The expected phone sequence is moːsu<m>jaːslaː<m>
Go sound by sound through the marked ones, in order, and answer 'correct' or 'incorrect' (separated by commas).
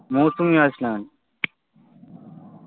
correct, incorrect